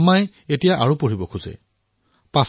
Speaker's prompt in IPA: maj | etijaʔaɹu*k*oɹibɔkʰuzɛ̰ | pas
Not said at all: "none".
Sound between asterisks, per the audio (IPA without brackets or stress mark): p